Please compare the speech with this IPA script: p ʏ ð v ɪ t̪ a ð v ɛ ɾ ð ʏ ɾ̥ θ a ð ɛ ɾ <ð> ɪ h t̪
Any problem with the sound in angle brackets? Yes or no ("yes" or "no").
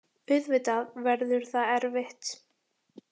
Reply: yes